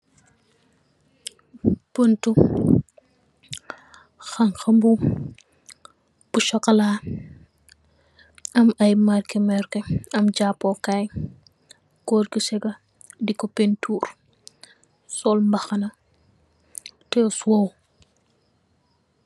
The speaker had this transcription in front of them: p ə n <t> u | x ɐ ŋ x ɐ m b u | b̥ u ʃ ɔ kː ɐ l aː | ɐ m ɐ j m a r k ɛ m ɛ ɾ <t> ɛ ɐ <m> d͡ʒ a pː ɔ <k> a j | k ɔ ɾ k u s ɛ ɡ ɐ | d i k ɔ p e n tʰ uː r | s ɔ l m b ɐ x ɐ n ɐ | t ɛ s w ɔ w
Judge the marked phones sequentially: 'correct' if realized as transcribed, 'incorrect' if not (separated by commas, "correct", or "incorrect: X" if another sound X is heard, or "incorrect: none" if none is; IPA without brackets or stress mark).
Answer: correct, incorrect: k, correct, correct